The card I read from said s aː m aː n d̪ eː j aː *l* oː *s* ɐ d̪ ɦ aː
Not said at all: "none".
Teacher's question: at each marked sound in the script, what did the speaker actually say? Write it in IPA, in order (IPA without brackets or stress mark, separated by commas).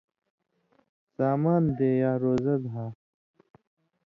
ɾ, z